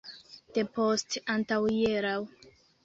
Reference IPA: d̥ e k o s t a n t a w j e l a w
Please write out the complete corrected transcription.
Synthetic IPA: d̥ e p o s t a n t a w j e ɾ a w